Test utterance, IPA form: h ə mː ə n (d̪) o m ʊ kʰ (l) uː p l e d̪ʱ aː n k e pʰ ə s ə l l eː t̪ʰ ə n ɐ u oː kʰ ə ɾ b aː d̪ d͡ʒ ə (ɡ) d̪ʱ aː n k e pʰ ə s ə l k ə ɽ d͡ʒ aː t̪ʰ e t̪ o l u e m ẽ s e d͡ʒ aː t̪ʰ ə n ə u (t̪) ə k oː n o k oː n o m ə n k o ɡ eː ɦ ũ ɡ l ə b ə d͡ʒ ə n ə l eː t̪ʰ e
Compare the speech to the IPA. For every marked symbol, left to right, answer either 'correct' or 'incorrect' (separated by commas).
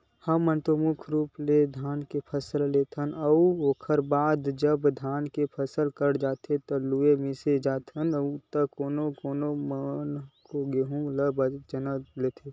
incorrect, incorrect, incorrect, correct